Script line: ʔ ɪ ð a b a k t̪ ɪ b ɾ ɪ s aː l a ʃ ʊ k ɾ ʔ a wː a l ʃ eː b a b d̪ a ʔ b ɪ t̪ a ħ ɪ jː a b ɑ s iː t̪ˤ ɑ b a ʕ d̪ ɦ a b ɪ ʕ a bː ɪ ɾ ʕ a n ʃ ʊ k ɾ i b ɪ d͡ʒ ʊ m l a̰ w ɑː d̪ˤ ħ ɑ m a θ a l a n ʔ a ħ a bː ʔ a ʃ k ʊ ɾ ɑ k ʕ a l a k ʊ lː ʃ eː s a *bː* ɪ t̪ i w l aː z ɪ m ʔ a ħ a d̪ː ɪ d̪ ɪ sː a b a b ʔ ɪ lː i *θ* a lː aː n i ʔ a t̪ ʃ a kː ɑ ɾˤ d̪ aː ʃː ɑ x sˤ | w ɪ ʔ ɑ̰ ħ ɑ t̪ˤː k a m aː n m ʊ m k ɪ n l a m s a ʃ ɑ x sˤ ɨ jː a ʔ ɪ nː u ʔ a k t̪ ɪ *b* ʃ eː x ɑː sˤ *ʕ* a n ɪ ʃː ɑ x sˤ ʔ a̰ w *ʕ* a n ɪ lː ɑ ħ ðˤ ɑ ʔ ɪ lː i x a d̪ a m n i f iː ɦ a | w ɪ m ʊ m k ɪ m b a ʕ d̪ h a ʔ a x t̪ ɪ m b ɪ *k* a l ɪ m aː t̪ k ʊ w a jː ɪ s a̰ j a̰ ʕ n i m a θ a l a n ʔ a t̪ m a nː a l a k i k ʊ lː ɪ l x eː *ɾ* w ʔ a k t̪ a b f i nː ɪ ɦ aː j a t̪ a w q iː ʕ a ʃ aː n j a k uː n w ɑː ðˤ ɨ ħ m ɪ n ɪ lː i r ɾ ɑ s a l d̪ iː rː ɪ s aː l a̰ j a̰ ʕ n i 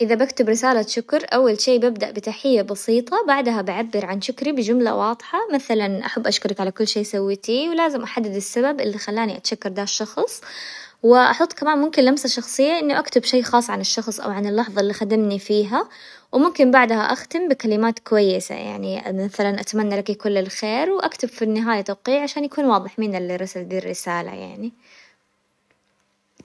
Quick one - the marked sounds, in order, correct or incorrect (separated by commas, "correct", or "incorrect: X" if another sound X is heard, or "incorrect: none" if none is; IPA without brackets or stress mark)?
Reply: incorrect: wː, incorrect: x, correct, correct, correct, correct, correct